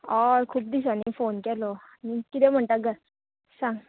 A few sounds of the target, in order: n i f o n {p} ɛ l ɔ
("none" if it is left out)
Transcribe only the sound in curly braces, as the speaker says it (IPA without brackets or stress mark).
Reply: k